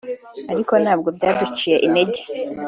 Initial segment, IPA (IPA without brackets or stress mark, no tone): a